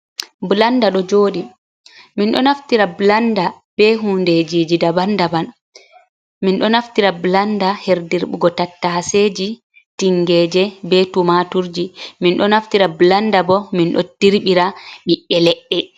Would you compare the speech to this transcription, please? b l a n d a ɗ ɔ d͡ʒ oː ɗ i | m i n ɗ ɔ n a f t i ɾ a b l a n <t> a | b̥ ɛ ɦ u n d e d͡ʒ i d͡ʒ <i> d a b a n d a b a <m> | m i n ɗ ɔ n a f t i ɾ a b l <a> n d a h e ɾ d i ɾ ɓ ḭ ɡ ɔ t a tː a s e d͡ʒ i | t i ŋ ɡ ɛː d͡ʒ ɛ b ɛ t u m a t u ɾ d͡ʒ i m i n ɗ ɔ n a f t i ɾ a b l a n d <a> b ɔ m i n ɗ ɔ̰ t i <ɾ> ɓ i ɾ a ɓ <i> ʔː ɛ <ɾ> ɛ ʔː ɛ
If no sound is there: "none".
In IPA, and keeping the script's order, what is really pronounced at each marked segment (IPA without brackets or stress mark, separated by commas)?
d, i, n, a, a, ɾ, i, l